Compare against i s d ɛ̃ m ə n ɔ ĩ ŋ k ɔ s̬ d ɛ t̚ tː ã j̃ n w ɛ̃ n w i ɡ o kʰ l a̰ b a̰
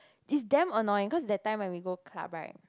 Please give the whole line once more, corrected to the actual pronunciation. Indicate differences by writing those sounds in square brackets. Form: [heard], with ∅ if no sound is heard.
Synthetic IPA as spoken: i s d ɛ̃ m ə n ɔ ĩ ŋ k ɔ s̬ d ɛ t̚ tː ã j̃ [m] w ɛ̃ n w i ɡ o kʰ l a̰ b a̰